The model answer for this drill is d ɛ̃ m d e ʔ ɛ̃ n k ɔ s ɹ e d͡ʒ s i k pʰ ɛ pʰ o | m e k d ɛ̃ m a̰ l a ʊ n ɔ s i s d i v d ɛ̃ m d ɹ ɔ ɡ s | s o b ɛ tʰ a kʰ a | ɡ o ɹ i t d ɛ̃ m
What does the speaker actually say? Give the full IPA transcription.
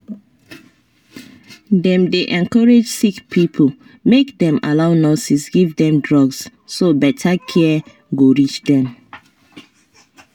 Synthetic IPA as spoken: d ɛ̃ m d e ʔ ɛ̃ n k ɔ ɹ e d͡ʒ s i k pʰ i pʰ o | m e k d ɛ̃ m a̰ l a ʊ n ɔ s i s ɡ i v d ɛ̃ m d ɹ ɔ ɡ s | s o b ɛ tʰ a kʰ ɛ | ɡ o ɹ i t͡ʃ d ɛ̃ m